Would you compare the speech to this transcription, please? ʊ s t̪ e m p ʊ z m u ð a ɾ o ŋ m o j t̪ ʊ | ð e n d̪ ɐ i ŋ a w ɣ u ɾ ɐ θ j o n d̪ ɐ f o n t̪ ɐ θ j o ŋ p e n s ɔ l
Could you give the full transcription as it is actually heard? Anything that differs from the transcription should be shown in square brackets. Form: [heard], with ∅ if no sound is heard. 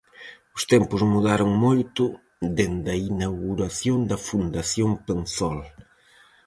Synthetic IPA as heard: ʊ s t̪ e m p ʊ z m u ð a ɾ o ŋ m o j t̪ ʊ | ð e n d̪ ɐ i [n] a w ɣ u ɾ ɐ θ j o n d̪ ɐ f [u] n [d̪] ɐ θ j o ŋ p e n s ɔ l